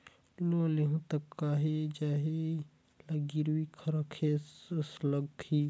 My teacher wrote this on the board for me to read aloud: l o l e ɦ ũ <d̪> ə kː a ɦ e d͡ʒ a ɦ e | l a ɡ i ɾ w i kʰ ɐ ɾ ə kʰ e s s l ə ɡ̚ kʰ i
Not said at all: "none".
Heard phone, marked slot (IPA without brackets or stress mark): t̪